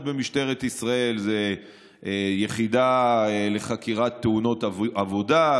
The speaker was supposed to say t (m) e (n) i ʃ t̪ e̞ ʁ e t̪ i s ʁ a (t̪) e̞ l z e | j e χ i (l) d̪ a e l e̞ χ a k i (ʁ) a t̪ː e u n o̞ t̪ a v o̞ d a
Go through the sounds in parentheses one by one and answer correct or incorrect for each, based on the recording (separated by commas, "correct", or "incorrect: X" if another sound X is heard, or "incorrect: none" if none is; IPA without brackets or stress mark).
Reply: incorrect: b, incorrect: m, incorrect: none, incorrect: none, correct